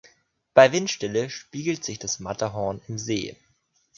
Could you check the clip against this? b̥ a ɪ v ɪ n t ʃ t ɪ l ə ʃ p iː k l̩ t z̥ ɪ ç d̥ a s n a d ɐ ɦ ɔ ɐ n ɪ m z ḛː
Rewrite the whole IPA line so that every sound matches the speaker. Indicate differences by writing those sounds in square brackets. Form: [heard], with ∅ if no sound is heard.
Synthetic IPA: b̥ a ɪ v ɪ n t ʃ t ɪ l ə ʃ p iː [ɡ] l̩ t z̥ ɪ ç d̥ a s [m] a [t] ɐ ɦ ɔ ɐ n ɪ m z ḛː